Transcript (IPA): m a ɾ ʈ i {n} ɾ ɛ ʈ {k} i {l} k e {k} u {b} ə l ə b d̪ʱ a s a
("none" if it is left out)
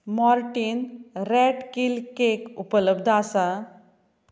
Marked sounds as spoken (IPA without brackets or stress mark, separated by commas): n, k, l, k, p